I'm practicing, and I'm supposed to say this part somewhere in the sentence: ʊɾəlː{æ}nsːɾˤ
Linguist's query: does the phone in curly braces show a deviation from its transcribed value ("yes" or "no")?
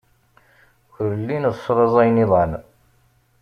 yes